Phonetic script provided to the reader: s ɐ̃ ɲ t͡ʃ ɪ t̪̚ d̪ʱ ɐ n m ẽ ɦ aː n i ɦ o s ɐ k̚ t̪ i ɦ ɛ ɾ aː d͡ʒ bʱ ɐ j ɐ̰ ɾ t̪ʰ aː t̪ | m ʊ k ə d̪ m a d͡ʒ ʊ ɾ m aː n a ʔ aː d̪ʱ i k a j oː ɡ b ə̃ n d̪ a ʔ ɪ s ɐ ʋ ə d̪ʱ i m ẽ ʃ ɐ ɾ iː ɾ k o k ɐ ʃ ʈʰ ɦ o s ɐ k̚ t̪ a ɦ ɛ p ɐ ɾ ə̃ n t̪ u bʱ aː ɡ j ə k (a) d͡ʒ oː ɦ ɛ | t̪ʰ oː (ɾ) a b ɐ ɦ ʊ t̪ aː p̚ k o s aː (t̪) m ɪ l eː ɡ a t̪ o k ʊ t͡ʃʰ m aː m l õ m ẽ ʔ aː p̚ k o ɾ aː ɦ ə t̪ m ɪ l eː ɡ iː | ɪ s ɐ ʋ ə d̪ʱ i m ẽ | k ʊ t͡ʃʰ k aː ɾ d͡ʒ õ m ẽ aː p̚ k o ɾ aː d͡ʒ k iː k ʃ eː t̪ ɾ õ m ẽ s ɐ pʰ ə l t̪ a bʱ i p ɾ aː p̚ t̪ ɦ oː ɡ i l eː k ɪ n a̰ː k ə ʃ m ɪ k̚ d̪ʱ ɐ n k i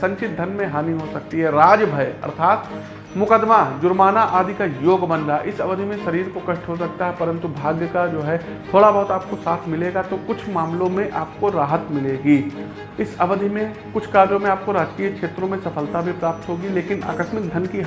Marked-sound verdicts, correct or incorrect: correct, incorrect: ɽ, incorrect: t̪ʰ

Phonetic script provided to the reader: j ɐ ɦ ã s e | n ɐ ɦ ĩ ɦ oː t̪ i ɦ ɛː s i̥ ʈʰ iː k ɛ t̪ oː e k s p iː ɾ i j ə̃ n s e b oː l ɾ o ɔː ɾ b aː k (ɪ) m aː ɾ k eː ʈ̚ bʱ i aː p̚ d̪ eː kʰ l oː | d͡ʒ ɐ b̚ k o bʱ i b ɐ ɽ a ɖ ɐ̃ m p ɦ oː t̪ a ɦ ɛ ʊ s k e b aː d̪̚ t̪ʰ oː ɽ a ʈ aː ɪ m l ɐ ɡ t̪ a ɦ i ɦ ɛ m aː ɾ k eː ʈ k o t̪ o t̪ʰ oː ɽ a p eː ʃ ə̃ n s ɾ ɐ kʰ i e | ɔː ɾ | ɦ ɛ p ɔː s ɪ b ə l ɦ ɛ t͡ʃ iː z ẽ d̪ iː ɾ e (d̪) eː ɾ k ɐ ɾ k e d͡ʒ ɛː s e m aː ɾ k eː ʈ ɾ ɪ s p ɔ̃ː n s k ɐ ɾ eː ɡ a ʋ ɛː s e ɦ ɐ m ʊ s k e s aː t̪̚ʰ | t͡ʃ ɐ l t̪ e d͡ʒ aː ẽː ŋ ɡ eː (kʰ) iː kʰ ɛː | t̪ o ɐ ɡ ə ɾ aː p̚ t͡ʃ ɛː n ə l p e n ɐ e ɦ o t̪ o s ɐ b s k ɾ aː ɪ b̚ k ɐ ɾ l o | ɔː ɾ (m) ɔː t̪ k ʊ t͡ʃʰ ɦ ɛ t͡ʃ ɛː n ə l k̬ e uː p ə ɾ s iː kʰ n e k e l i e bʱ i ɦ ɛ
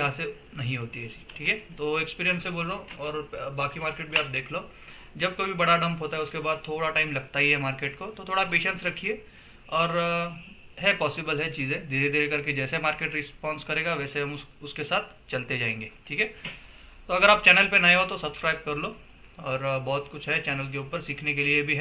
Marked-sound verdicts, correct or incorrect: incorrect: i, correct, incorrect: ʈʰ, incorrect: b

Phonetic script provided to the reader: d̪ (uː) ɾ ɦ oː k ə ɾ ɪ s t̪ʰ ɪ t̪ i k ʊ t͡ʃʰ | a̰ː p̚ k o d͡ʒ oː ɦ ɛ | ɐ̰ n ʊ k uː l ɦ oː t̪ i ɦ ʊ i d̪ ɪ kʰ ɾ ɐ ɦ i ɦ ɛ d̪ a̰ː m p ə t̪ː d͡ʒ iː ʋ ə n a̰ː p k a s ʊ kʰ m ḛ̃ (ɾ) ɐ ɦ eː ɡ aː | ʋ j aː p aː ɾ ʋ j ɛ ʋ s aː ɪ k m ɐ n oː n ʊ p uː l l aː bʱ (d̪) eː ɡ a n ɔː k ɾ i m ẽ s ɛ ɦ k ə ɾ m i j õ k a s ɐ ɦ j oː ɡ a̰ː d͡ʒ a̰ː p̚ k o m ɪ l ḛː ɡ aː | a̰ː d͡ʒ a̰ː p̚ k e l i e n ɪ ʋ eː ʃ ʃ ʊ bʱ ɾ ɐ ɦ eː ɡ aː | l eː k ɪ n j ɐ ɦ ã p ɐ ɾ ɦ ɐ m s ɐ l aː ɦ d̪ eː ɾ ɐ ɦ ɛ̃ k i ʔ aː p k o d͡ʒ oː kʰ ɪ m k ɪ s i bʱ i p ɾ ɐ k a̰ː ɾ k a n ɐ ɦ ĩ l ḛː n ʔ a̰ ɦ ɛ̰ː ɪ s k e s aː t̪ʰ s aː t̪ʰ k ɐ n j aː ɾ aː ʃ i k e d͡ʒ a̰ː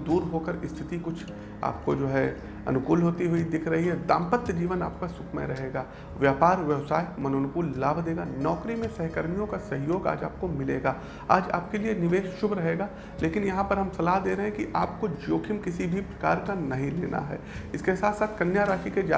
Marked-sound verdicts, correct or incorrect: correct, correct, correct

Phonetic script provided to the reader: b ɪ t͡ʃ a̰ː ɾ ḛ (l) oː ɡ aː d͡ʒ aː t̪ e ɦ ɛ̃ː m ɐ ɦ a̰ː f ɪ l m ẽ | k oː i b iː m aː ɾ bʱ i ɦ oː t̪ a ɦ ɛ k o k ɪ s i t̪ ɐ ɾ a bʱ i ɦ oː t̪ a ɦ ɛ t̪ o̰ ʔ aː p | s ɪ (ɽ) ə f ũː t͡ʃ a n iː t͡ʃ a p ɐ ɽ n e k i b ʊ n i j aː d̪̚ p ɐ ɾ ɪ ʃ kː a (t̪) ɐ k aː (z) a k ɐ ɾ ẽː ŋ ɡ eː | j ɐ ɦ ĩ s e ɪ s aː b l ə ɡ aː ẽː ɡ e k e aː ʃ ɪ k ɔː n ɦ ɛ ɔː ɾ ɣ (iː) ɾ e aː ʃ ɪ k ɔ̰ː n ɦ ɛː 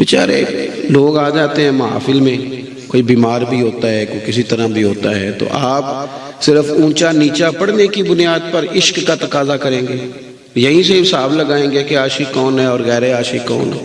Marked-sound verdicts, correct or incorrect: correct, incorrect: ɾ, correct, correct, incorrect: ɛː

